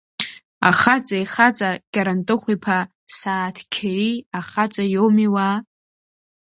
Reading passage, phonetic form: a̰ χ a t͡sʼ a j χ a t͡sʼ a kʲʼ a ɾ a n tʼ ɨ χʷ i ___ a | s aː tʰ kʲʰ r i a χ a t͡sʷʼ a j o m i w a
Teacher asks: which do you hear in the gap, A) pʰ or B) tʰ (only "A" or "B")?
A